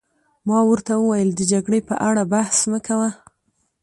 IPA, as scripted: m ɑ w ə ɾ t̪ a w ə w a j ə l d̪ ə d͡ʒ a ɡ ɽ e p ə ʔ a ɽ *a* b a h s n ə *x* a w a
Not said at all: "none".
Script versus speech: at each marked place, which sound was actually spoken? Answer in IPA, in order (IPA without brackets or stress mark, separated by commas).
a, k